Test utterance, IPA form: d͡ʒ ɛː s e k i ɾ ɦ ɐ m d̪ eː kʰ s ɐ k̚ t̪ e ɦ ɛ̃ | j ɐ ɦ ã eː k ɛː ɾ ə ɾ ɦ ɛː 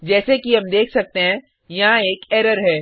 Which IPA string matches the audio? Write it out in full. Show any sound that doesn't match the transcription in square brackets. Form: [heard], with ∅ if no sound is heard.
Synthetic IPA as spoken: d͡ʒ ɛː s e k i [∅] ɦ ɐ m d̪ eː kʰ s ɐ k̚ t̪ e ɦ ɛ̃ | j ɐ ɦ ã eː k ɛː ɾ ə ɾ ɦ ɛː